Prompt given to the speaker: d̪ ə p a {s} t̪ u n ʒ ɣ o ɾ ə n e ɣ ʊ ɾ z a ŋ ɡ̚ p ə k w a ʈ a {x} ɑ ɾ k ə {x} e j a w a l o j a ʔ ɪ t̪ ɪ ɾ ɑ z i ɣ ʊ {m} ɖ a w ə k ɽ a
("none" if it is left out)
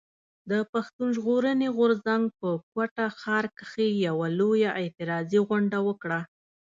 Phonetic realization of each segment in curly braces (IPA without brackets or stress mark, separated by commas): x, x, x, ɳ